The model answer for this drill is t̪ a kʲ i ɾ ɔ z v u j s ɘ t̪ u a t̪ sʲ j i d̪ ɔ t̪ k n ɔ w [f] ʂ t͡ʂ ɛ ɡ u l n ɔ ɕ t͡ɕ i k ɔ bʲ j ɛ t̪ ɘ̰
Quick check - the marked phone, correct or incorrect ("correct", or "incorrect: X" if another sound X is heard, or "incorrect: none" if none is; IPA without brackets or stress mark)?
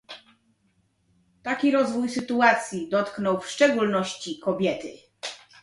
correct